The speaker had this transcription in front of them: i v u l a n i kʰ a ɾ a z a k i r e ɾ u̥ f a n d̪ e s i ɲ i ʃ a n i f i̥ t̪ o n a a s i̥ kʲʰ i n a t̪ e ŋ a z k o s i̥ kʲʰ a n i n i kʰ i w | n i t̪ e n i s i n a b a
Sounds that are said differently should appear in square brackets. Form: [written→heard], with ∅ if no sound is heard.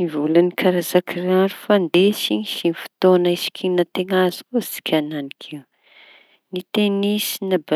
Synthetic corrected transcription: i v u l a n i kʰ a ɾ a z a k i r [e→a] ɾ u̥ f a n d̪ e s i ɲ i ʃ [a→i] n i f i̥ t̪ o n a [a→i] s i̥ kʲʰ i n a t̪ e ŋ a z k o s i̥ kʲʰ a n [i→a] n i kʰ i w | n i t̪ e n i s i n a b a